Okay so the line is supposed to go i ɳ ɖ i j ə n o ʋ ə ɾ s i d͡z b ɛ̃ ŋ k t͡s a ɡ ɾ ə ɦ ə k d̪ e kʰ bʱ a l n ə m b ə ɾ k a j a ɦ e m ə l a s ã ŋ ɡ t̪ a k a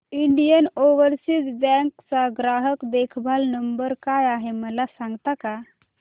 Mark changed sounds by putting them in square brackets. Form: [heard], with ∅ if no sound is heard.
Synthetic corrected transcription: i ɳ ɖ i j ə n o ʋ ə ɾ s i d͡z b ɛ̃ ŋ k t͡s a ɡ ɾ [a] ɦ ə k d̪ e kʰ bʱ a l n ə m b ə ɾ k a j a ɦ e m ə l a s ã ŋ ɡ t̪ a k a